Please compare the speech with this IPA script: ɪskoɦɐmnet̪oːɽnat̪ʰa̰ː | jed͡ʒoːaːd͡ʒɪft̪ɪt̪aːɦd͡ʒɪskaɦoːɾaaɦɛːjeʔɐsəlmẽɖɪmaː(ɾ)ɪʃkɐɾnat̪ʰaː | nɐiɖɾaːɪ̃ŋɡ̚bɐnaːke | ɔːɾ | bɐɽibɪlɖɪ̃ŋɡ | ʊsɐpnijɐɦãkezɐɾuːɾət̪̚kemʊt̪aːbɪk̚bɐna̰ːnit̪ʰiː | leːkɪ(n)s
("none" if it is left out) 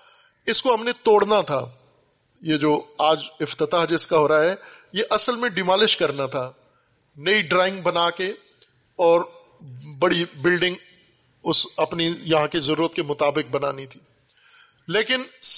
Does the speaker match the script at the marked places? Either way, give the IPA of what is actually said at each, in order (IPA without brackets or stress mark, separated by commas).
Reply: l, n